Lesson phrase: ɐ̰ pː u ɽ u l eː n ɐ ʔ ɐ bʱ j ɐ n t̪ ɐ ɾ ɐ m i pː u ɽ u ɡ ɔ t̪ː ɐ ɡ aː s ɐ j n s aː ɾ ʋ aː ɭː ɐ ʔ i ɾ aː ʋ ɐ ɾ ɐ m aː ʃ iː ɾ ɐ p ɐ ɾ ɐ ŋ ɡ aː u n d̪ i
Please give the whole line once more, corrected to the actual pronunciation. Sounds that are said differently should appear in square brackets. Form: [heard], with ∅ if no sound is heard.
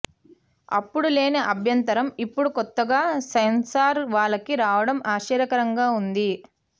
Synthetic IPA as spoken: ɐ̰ pː u ɽ u l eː n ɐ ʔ ɐ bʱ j ɐ n t̪ ɐ ɾ ɐ m i pː u ɽ u [k] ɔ t̪ː ɐ ɡ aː s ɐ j n s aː ɾ ʋ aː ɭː ɐ [k] i ɾ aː ʋ ɐ [ɽ] ɐ m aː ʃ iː ɾ ɐ [k] ɐ ɾ ɐ ŋ ɡ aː u n d̪ i

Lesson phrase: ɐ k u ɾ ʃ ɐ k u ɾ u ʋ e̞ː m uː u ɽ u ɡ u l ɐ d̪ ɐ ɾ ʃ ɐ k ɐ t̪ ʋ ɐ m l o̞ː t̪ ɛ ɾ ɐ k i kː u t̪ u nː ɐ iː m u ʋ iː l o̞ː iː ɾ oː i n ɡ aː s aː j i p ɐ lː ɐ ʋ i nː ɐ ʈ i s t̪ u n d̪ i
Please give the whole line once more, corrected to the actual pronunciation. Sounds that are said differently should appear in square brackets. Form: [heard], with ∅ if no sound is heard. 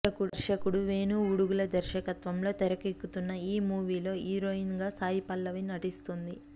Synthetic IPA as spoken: ɐ k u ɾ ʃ ɐ k u [ɽ] u ʋ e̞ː [n] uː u ɽ u ɡ u l ɐ d̪ ɐ ɾ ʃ ɐ k ɐ t̪ ʋ ɐ m l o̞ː t̪ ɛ ɾ ɐ k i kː u t̪ u nː ɐ iː m [uː] ʋ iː l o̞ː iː ɾ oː i n ɡ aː s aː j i p ɐ lː ɐ ʋ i [n] ɐ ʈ i s t̪ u n d̪ i

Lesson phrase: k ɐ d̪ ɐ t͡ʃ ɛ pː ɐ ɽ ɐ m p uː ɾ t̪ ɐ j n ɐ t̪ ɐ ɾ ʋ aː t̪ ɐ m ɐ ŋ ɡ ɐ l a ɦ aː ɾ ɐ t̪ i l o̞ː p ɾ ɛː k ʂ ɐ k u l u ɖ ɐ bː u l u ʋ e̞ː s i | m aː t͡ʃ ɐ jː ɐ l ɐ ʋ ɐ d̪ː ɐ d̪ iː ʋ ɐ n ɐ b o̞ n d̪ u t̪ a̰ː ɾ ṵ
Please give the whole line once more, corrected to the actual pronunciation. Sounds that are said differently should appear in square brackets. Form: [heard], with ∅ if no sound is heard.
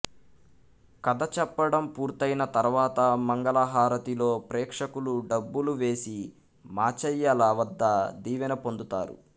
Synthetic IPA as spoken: k ɐ d̪ ɐ t͡ʃ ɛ pː ɐ ɽ ɐ m p uː ɾ t̪ ɐ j n ɐ t̪ ɐ ɾ ʋ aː t̪ ɐ m ɐ ŋ ɡ ɐ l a ɦ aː ɾ ɐ t̪ i l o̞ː p ɾ ɛː k ʂ ɐ k u l u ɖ ɐ bː u l u ʋ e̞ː s i | m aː t͡ʃ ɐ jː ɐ l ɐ ʋ ɐ d̪ː ɐ d̪ iː ʋ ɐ n ɐ [p] o̞ n d̪ u t̪ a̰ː ɾ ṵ

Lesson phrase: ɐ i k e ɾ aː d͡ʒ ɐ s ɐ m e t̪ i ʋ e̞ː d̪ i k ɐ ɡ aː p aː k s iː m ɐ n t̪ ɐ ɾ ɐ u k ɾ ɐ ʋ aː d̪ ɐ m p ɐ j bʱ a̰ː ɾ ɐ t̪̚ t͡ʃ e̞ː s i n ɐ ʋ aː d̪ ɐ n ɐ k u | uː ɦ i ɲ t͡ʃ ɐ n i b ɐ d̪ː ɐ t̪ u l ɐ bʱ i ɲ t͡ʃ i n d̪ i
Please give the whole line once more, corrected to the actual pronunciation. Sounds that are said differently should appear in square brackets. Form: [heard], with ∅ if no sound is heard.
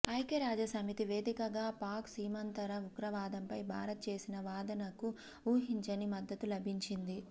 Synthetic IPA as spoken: ɐ [j] k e ɾ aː d͡ʒ ɐ s ɐ m [i] t̪ i ʋ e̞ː d̪ i k ɐ ɡ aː p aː k s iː m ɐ n t̪ ɐ ɾ ɐ u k ɾ ɐ ʋ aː d̪ ɐ m p ɐ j bʱ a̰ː ɾ ɐ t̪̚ t͡ʃ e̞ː s i n ɐ ʋ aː d̪ ɐ n ɐ k u | uː ɦ i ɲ t͡ʃ ɐ n i [m] ɐ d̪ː ɐ t̪ u l ɐ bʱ i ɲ t͡ʃ i n d̪ i

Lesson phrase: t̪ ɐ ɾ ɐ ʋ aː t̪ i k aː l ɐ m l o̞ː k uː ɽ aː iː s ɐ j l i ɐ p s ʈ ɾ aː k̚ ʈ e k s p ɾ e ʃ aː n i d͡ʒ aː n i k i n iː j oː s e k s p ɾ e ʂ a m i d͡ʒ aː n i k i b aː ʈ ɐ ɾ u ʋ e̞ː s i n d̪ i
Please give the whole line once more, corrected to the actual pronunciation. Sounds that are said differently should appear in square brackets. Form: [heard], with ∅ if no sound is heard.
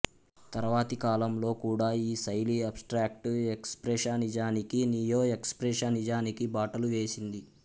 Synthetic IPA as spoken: t̪ ɐ ɾ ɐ ʋ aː t̪ i k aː l ɐ m l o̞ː k uː ɽ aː iː s ɐ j l i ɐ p s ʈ ɾ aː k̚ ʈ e k s p ɾ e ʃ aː n i d͡ʒ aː n i k i n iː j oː [∅] e k s p ɾ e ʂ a [n] i d͡ʒ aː n i k i b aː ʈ ɐ [l] u ʋ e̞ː s i n d̪ i

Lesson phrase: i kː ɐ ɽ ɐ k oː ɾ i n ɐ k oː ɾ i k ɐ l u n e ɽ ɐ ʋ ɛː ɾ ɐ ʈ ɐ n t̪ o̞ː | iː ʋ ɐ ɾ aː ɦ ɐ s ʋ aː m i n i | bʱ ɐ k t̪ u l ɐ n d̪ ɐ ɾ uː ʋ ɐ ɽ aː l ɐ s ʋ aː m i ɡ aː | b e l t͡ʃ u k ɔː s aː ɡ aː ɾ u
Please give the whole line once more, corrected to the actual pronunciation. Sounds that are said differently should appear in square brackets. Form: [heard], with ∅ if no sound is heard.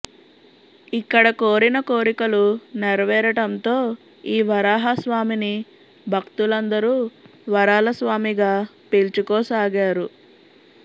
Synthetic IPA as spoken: i kː ɐ ɽ ɐ k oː ɾ i n ɐ k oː ɾ i k ɐ l u n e [ɾ] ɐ ʋ ɛː ɾ ɐ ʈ ɐ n t̪ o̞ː | iː ʋ ɐ ɾ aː ɦ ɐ s ʋ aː m i n i | bʱ ɐ k t̪ u l ɐ n d̪ ɐ ɾ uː ʋ ɐ [ɾ] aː l ɐ s ʋ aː m i ɡ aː | [p] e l t͡ʃ u k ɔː s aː ɡ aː ɾ u

